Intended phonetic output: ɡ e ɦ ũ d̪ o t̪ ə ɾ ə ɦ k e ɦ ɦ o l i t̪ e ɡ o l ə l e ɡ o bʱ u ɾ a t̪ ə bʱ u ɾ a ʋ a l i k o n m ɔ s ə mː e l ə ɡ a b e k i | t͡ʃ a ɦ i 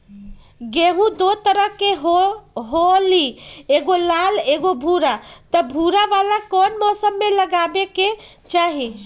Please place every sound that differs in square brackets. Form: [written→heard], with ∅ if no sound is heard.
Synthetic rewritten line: ɡ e ɦ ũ d̪ o t̪ ə ɾ ə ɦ k e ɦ ɦ o l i [t̪→∅] e ɡ o l [ə→a] l e ɡ o bʱ u ɾ a t̪ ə bʱ u ɾ a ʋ a l [i→a] k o n m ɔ s ə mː e l ə ɡ a b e k [i→e] | t͡ʃ a ɦ i